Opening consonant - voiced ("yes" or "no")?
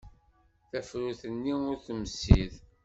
no